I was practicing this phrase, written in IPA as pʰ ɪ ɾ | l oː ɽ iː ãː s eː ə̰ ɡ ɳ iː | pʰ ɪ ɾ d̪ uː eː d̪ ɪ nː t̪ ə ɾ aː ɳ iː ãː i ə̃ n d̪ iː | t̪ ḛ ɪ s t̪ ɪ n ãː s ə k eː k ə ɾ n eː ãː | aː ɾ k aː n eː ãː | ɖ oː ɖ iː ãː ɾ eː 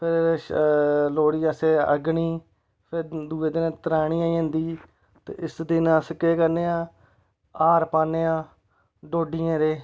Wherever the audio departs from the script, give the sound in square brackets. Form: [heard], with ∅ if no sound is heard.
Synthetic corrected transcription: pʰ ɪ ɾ | l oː ɽ iː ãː s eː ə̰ ɡ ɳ iː | pʰ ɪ ɾ d̪ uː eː d̪ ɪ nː t̪ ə ɾ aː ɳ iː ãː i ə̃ n d̪ iː | t̪ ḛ ɪ s [d̪] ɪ n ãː s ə k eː k ə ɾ n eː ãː | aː ɾ [p] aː n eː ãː | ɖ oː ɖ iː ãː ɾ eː

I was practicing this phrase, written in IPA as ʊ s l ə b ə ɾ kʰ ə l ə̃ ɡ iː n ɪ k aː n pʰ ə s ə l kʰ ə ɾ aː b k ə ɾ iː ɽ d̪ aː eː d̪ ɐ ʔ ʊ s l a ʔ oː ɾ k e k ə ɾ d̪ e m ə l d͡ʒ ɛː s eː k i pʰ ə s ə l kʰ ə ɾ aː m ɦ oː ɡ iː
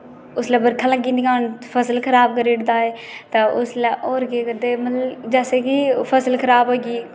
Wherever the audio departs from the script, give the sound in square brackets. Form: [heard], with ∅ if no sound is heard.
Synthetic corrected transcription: ʊ s l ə b ə ɾ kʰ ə l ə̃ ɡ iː n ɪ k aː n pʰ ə s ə l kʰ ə ɾ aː b k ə ɾ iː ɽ d̪ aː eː [t̪] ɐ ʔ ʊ s l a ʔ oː ɾ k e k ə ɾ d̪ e m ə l d͡ʒ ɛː s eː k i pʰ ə s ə l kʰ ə ɾ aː [b] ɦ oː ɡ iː

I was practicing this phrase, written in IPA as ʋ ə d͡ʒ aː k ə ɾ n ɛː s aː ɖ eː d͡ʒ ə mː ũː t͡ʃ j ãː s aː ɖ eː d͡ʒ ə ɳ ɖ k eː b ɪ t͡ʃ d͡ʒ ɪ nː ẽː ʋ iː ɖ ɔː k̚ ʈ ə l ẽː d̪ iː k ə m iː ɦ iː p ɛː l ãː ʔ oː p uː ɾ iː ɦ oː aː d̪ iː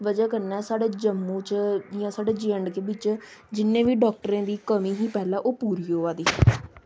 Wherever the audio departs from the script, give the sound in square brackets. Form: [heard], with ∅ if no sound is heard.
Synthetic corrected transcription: ʋ ə d͡ʒ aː k ə ɾ n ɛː s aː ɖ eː d͡ʒ ə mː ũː t͡ʃ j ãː s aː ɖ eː d͡ʒ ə ɳ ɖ k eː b ɪ t͡ʃ d͡ʒ ɪ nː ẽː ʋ iː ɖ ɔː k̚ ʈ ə [ɾ] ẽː d̪ iː k ə m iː ɦ iː p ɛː l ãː ʔ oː p uː ɾ iː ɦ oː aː d̪ iː

